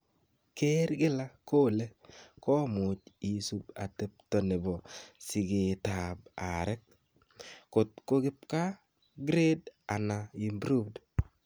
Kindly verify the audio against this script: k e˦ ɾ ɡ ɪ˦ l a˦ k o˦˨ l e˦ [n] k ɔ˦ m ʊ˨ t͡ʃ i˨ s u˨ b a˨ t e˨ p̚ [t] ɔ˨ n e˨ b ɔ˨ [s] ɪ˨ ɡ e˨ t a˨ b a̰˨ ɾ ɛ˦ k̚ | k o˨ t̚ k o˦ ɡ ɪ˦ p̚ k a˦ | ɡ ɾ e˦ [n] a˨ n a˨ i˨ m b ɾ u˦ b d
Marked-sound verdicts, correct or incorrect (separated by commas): incorrect, correct, correct, incorrect